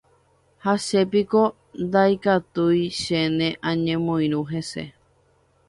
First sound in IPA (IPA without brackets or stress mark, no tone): h